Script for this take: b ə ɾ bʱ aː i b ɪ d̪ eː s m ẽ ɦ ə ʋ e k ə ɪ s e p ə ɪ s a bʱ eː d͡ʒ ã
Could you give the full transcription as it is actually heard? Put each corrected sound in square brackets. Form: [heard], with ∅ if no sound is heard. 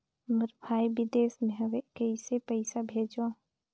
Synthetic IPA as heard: [m] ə ɾ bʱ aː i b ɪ d̪ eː s m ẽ ɦ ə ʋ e k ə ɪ s e p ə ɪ s a bʱ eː d͡ʒ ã